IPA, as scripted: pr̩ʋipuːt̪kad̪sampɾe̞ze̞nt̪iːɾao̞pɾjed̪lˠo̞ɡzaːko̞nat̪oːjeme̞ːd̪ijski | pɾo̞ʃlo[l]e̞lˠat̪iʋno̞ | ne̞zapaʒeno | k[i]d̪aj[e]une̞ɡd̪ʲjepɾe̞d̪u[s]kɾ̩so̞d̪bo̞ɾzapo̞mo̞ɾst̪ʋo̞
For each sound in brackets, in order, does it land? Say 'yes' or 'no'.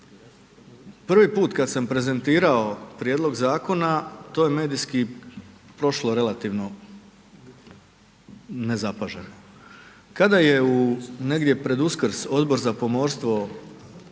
no, no, yes, yes

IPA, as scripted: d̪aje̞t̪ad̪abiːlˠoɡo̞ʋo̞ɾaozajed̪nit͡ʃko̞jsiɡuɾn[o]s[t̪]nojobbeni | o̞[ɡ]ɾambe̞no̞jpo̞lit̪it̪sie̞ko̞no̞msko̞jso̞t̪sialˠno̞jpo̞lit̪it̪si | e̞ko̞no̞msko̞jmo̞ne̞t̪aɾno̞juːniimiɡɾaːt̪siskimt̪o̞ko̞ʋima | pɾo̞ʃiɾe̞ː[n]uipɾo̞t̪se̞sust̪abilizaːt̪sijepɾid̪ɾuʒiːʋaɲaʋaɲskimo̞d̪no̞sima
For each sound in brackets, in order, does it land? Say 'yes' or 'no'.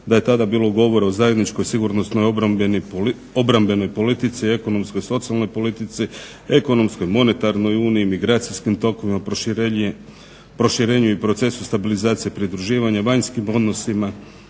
yes, yes, no, no

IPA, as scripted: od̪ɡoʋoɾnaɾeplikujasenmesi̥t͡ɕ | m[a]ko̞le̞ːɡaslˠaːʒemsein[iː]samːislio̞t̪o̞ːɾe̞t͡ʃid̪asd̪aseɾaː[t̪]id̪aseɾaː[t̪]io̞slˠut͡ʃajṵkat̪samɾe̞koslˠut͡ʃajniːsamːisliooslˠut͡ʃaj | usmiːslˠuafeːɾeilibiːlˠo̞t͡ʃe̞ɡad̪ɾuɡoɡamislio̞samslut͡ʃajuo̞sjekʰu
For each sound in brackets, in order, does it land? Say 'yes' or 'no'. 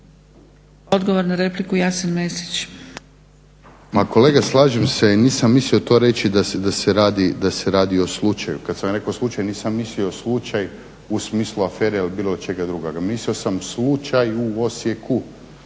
yes, yes, no, no

